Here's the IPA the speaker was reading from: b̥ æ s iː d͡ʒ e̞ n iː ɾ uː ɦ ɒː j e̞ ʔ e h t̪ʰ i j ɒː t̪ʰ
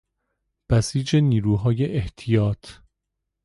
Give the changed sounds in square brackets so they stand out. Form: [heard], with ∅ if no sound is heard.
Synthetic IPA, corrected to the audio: b̥ æ s iː d͡ʒ e̞ n iː ɾ uː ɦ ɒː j e̞ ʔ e h t̪ʰ i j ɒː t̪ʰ